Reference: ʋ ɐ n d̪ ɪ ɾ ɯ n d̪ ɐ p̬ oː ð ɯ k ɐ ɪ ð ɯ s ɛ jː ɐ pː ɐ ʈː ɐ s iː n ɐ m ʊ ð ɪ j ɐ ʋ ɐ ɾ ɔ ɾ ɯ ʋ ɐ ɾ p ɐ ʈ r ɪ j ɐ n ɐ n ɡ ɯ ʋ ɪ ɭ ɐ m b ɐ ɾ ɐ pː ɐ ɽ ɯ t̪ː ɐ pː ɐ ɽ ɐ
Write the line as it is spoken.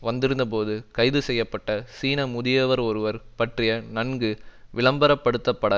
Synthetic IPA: ʋ ɐ n d̪ ɪ ɾ ɯ n d̪ ɐ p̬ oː ð ɯ k ɐ ɪ ð ɯ s ɛ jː ɐ pː ɐ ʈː ɐ s iː n ɐ m ʊ ð ɪ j ɐ ʋ ɐ ɾ ɔ ɾ ɯ ʋ ɐ ɾ p ɐ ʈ r ɪ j ɐ n ɐ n ɡ ɯ ʋ ɪ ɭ ɐ m b ɐ ɾ ɐ pː ɐ ɽ ɯ t̪ː ɐ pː ɐ ɽ ɐ

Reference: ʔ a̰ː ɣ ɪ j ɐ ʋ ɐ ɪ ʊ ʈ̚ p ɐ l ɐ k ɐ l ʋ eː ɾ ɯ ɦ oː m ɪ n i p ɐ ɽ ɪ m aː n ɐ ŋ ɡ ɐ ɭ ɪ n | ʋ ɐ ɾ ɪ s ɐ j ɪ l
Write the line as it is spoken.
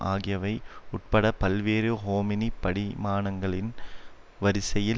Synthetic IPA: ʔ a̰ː ɣ ɪ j ɐ ʋ ɐ ɪ ʊ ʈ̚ p ɐ ɽ ɐ p ɐ l ʋ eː ɾ ɯ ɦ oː m ɪ n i p ɐ ɽ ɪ m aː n ɐ ŋ ɡ ɐ ɭ ɪ n | ʋ ɐ ɾ ɪ s ɐ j ɪ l

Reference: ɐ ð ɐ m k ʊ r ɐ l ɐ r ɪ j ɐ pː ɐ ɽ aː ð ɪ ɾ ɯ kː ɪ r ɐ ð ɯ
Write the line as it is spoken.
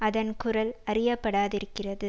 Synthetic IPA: ɐ ð ɐ n k ʊ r ɐ l ɐ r ɪ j ɐ pː ɐ ɽ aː ð ɪ ɾ ɯ kː ɪ r ɐ ð ɯ

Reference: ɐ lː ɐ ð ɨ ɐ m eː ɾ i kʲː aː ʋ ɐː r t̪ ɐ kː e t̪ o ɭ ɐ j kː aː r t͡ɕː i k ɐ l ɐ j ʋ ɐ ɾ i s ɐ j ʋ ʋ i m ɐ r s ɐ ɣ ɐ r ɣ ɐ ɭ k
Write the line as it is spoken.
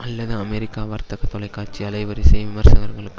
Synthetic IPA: ɐ lː ɐ ð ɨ ɐ m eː ɾ i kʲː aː ʋ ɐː r t̪ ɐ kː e t̪ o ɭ ɐ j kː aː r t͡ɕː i ɐ l ɐ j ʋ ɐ ɾ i s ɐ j ʋ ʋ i m ɐ r s ɐ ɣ ɐ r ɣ ɐ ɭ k

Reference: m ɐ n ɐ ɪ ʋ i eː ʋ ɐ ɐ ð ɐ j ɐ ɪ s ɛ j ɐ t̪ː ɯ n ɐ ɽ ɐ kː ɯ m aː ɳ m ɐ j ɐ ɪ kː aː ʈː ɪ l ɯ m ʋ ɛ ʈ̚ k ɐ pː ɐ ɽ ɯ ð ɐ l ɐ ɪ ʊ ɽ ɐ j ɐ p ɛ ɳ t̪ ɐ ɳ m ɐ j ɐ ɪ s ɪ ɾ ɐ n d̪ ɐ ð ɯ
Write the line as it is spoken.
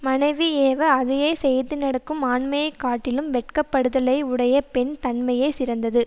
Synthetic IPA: m ɐ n ɐ ɪ ʋ i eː ʋ ɐ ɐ ð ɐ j ɐ ɪ s ɛ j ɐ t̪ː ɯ n ɐ ɽ ɐ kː ɯ m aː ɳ m ɐ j ɐ ɪ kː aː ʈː ɪ l ɯ m ʋ ɛ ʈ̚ k ɐ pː ɐ ɽ ɯ ð ɐ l ɐ ɪ ʊ ɽ ɐ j ɐ p ɛ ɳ t̪ ɐ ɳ m ɐ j ɐ ɪ s ɪ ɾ ɐ n d̪ ɐ ð ɯ

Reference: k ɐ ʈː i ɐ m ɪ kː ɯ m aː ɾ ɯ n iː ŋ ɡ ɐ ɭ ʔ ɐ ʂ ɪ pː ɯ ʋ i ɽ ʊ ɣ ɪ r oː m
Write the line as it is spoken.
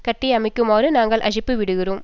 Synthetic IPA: k ɐ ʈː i ɐ m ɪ kː ɯ m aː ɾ ɯ n aː ŋ ɡ ɐ ɭ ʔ ɐ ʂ ɪ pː ɯ ʋ ɪ ɽ ɯ ɣ ɪ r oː m

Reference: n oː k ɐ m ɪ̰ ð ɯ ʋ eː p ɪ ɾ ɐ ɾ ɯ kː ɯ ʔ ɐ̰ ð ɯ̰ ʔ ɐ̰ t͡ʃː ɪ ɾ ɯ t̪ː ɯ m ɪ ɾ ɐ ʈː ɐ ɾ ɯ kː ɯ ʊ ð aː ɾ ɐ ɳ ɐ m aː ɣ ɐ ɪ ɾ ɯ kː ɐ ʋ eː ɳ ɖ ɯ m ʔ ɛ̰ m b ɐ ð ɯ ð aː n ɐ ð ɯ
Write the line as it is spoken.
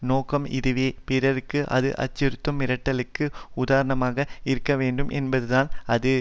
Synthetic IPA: n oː k ɐ m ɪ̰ ð ɯ ʋ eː p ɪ ɾ ɐ ɾ ɯ kː ɯ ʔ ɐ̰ ð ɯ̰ ʔ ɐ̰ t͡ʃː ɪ ɾ ɯ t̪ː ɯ m ɪ ɾ ɐ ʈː ɐ l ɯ kː ɯ ʊ ð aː ɾ ɐ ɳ ɐ m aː ɣ ɐ ɪ ɾ ɯ kː ɐ ʋ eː ɳ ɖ ɯ m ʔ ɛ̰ n b ɐ ð ɯ ð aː n ɐ ð ɯ

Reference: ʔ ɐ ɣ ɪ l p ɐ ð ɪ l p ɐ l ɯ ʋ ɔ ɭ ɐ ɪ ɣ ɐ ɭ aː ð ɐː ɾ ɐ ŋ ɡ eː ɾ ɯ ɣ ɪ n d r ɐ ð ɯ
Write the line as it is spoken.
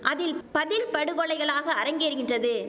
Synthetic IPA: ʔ ɐ ð ɪ l p ɐ ð ɪ l p ɐ ɽ ɯ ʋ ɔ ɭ ɐ ɪ ɣ ɐ ɭ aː ɣ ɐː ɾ ɐ ŋ ɡ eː ɾ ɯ ɣ ɪ n d r ɐ ð ɯ

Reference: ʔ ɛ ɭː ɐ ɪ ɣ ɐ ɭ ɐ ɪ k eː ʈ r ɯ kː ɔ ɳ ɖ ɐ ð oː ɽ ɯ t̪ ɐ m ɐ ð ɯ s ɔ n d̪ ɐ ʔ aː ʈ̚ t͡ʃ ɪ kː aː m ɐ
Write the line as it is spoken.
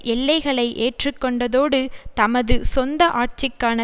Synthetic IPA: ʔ ɛ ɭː ɐ ɪ ɣ ɐ ɭ ɐ ɪ ʔ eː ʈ r ɯ kː ɔ ɳ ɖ ɐ ð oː ɽ ɯ t̪ ɐ m ɐ ð ɯ s ɔ n d̪ ɐ ʔ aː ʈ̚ t͡ʃ ɪ kː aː n ɐ

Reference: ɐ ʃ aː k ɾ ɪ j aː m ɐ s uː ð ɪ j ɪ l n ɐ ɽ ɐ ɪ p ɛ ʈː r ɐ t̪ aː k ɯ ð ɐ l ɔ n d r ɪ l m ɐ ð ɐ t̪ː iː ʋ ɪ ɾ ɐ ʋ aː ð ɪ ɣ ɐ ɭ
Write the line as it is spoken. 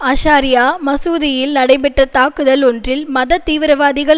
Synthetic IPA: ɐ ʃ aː ɾ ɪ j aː m ɐ s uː ð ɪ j ɪ l n ɐ ɽ ɐ ɪ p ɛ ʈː r ɐ t̪ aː k ɯ ð ɐ l ɔ n d r ɪ l m ɐ ð ɐ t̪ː iː ʋ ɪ ɾ ɐ ʋ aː ð ɪ ɣ ɐ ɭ

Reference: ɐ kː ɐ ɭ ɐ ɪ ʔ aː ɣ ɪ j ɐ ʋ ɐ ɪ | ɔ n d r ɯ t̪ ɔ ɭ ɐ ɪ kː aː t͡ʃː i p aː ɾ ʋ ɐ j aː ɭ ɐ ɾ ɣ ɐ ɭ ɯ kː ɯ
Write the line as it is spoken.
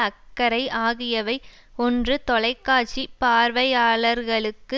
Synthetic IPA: ɐ kː ɐ ɾ ɐ ɪ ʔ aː ɣ ɪ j ɐ ʋ ɐ ɪ | ɔ n d r ɯ t̪ ɔ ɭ ɐ ɪ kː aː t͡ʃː i p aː ɾ ʋ ɐ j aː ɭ ɐ ɾ ɣ ɐ ɭ ɯ kː ɯ

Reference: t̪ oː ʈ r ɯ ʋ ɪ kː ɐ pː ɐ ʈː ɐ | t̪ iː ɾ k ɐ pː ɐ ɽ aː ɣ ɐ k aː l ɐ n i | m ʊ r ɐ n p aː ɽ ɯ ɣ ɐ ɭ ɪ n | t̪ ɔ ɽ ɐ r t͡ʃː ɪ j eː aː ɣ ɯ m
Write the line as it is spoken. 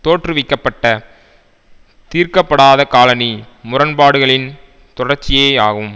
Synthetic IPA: t̪ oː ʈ r ɯ ʋ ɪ kː ɐ pː ɐ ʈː ɐ | t̪ iː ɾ k ɐ pː ɐ ɽ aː ð ɐ k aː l ɐ n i | m ʊ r ɐ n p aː ɽ ɯ ɣ ɐ ɭ ɪ n | t̪ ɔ ɽ ɐ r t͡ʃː ɪ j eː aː ɣ ɯ m

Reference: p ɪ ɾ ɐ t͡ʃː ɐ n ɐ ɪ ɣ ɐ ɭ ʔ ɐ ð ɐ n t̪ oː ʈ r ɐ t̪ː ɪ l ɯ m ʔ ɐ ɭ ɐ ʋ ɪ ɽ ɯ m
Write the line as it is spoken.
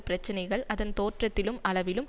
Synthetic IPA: p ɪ ɾ ɐ t͡ʃː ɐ n ɐ ɪ ɣ ɐ ɭ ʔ ɐ ð ɐ n t̪ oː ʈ r ɐ t̪ː ɪ l ɯ m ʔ ɐ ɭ ɐ ʋ ɪ l ɯ m

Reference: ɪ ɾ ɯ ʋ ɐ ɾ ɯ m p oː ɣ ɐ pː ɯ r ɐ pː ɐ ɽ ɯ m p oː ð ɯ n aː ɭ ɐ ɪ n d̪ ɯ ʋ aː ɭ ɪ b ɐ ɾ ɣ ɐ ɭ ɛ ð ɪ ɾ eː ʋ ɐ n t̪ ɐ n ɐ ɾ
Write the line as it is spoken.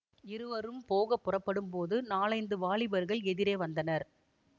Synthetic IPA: ɪ ɾ ɯ ʋ ɐ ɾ ɯ m p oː ɣ ɐ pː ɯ r ɐ pː ɐ ɽ ɯ m p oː ð ɯ n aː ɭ ɐ ɪ n d̪ ɯ ʋ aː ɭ ɪ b ɐ ɾ ɣ ɐ ɭ ɛ ð ɪ ɾ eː ʋ ɐ n d̪ ɐ n ɐ ɾ

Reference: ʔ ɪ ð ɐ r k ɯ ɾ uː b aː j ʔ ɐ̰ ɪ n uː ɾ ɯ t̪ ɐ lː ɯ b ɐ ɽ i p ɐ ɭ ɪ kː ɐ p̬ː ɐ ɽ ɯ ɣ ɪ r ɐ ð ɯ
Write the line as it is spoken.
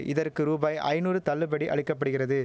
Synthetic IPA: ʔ ɪ ð ɐ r k ɯ ɾ uː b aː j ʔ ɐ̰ ɪ n uː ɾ ɯ t̪ ɐ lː ɯ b ɐ ɽ i ʔ ɐ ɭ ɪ kː ɐ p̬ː ɐ ɽ ɯ ɣ ɪ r ɐ ð ɯ

